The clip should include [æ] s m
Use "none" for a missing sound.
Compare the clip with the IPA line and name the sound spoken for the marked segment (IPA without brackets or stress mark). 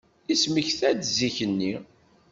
i